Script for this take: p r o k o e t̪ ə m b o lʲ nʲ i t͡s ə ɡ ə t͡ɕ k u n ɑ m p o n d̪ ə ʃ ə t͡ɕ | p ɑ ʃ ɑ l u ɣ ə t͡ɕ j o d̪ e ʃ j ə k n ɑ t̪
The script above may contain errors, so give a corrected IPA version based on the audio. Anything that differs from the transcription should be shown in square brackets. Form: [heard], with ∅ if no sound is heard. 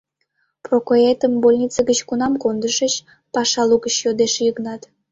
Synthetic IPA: p r o k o e t̪ ə m b o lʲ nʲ i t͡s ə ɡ ə t͡ɕ k u n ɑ m [k] o n d̪ ə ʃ ə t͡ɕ | p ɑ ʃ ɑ l u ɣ ə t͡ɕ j o d̪ e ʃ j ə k n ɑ t̪

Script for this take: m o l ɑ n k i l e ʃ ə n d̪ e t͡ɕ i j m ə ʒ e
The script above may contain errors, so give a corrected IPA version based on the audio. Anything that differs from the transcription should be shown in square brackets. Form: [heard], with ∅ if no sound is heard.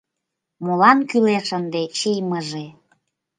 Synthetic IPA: m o l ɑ n k [y] l e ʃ ə n d̪ e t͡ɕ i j m ə ʒ e

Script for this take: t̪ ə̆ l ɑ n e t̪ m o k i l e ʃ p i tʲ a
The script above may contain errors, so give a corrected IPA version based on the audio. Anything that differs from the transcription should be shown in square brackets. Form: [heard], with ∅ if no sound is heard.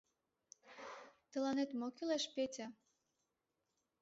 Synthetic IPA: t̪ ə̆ l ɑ n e t̪ m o k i l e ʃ p [e] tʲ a

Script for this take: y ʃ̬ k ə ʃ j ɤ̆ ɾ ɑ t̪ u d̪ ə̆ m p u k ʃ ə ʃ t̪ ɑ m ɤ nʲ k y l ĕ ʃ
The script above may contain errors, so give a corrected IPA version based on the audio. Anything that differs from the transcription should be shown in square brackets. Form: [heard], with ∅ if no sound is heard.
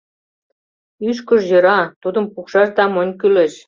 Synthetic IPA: y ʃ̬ k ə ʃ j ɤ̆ ɾ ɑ t̪ u d̪ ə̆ m p u k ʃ [ɑ] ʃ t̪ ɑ m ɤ nʲ k y l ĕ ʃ

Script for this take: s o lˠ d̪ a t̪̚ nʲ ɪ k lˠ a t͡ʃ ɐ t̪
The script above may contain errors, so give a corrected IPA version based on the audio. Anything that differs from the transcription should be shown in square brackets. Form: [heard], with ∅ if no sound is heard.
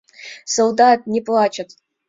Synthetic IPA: s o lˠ d̪ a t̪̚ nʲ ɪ [p] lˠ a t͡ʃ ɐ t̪

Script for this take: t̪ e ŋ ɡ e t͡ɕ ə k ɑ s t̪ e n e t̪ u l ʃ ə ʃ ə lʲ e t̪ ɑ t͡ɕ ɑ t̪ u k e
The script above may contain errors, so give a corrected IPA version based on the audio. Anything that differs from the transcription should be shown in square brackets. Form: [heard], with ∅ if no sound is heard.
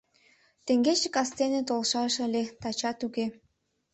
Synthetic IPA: t̪ e ŋ ɡ e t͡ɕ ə k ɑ s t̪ e n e t̪ [o] l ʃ [ɑ] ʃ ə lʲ e t̪ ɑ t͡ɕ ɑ t̪ u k e

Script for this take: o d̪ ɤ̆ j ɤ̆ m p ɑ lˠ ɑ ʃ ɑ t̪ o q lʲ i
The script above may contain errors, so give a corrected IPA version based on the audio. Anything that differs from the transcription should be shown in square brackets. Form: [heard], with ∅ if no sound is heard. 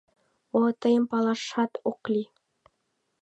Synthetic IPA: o [t̪] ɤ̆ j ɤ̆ m p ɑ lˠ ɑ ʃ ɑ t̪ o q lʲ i

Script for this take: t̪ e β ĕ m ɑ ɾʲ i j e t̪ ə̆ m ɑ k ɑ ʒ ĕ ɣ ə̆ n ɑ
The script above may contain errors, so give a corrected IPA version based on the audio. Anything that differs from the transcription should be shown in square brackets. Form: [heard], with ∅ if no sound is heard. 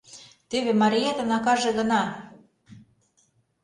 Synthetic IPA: t̪ e β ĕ m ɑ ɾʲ i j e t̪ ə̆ [n] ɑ k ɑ ʒ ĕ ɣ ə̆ n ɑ

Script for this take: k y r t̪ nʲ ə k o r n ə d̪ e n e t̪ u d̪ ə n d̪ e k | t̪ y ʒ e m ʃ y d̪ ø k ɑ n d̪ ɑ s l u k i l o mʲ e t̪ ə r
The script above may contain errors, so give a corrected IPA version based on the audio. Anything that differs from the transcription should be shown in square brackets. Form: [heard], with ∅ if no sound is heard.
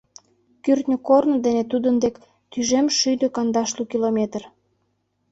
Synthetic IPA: k y r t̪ nʲ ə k o r n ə d̪ e n e t̪ u d̪ ə n d̪ e k | t̪ y ʒ e m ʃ y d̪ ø k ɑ n d̪ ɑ [ʃ] l u k i l o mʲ e t̪ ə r

